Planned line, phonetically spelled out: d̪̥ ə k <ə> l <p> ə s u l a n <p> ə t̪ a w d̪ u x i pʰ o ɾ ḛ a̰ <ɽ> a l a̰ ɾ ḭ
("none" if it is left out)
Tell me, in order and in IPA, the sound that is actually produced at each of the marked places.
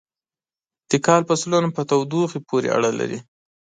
ɑ, p, p, ɽ

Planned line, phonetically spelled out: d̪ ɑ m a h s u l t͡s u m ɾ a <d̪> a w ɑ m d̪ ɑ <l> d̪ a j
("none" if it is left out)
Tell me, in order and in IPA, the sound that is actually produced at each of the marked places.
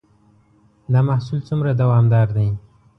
d̪, ɾ

